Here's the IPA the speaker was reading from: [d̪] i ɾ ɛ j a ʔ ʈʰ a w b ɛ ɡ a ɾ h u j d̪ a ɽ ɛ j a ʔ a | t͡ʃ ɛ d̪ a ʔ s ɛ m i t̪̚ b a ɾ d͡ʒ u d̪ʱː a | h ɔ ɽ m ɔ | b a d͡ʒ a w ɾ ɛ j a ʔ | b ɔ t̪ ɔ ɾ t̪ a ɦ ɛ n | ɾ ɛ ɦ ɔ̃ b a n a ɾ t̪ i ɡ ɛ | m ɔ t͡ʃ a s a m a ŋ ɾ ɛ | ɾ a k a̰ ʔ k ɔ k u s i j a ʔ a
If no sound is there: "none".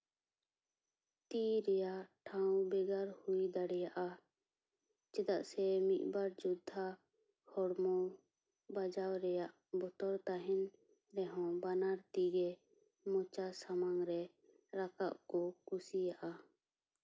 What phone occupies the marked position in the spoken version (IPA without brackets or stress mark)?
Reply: t̪